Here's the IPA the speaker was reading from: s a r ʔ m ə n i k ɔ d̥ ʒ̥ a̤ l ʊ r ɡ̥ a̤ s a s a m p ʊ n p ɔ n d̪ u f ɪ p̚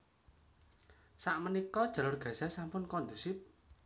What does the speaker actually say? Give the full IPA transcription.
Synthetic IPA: s a ʔ m ə n i k ɔ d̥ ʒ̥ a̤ l ʊ r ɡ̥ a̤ s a s a m p ʊ n k ɔ n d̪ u s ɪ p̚